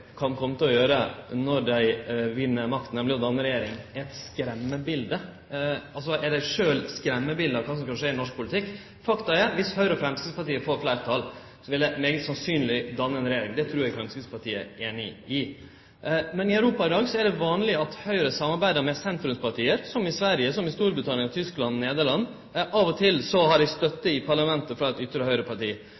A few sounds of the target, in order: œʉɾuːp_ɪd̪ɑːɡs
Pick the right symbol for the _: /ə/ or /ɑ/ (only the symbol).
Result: ɑ